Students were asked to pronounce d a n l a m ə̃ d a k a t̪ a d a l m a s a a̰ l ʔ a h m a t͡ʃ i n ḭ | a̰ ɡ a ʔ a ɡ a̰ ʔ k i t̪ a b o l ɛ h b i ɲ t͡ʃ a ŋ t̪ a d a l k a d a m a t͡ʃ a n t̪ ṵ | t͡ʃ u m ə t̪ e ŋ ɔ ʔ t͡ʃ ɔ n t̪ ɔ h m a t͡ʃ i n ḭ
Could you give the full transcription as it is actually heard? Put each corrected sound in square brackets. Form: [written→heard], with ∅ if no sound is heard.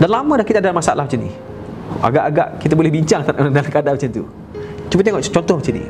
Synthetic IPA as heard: d a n l a m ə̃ d a k [a→i] t̪ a d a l m a s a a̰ l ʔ a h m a t͡ʃ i n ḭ | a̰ ɡ a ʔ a ɡ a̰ ʔ k i t̪ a b o l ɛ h b i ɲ t͡ʃ a ŋ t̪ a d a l k a d a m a t͡ʃ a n t̪ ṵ | t͡ʃ u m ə t̪ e ŋ ɔ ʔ t͡ʃ ɔ n t̪ ɔ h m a t͡ʃ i n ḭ